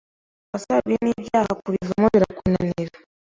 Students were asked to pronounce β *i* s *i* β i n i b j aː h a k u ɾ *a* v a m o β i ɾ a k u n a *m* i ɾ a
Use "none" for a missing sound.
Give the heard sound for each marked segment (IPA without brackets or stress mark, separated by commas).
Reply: a, a, i, n